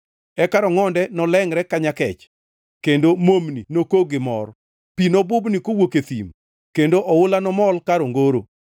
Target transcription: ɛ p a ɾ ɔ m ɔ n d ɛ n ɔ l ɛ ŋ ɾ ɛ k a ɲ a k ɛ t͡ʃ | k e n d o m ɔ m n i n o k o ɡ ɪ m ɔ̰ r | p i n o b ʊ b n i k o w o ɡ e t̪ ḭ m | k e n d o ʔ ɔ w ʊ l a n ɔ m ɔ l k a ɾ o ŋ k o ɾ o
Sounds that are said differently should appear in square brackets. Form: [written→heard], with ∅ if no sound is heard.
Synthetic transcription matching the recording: ɛ [p→k] a ɾ ɔ [m→ŋ] ɔ n d ɛ n ɔ l ɛ ŋ ɾ ɛ k a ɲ a k ɛ t͡ʃ | k e n d o m [ɔ→o] m n i n o k o ɡ ɪ m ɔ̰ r | p i n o b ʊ b n i k o w o [ɡ→k] e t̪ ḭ m | k e n d o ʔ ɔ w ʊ l a n ɔ m ɔ l k a ɾ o ŋ [k→ɡ] o ɾ o